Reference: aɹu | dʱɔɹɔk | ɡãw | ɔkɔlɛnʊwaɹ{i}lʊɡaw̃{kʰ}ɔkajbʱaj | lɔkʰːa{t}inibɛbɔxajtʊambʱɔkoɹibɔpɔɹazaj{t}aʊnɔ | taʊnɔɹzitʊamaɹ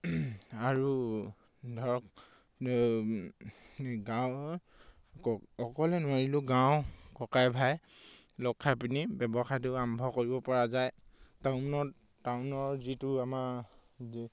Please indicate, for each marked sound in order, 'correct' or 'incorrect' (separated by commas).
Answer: correct, incorrect, incorrect, correct